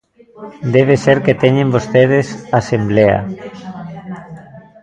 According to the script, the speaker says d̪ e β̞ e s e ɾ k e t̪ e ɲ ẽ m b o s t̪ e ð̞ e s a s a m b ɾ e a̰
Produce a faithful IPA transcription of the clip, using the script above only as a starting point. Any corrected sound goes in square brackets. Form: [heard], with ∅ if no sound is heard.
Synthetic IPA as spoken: d̪ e β̞ e s e ɾ k e t̪ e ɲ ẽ m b o s t̪ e ð̞ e s a s [e] m b [l] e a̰